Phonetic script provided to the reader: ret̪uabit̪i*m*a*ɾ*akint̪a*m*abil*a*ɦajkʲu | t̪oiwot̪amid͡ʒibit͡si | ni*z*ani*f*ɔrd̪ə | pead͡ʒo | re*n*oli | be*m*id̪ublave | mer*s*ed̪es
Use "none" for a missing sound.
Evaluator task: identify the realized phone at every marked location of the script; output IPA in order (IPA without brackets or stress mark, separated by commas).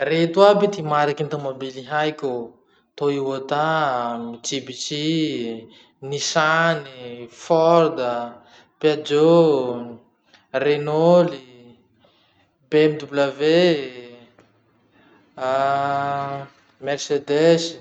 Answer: m, ɾ, m, i, s, f, n, m, s